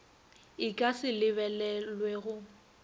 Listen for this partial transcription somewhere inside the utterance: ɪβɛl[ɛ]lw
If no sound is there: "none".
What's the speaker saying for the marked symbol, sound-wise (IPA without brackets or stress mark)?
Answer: ɛ